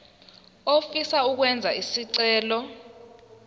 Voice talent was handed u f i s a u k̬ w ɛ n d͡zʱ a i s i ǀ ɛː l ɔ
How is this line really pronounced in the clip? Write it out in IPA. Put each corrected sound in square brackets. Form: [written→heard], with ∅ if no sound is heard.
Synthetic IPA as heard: [u→o] f i s a u k̬ w ɛ n d͡zʱ a i s i ǀ ɛː l ɔ